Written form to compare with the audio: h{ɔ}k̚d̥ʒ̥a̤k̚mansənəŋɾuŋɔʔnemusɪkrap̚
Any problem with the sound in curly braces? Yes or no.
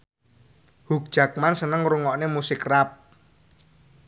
yes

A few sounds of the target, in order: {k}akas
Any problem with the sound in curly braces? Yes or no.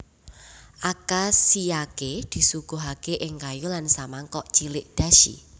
yes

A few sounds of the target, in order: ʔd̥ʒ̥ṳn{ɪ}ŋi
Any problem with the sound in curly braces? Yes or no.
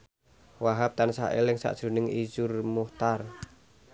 no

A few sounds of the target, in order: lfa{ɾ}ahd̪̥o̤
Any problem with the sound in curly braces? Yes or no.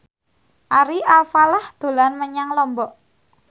yes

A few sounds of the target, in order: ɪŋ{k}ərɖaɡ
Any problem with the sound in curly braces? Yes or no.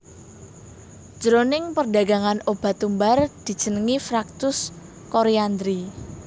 yes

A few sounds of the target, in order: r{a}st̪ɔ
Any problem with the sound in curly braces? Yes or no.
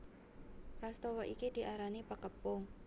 no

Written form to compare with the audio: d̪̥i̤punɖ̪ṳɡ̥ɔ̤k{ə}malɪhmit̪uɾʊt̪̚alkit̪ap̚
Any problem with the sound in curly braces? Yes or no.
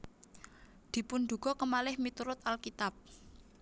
no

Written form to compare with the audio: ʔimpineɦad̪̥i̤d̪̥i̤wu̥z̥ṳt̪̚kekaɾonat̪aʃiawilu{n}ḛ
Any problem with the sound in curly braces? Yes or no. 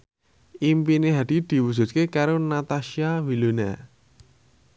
no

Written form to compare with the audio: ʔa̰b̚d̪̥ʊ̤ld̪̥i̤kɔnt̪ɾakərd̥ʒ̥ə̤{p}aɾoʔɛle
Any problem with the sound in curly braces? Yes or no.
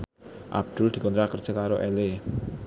yes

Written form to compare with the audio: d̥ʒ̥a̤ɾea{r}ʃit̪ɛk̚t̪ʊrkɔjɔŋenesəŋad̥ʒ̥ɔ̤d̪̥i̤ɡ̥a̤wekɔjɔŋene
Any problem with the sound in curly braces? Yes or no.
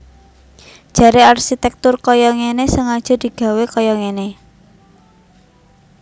no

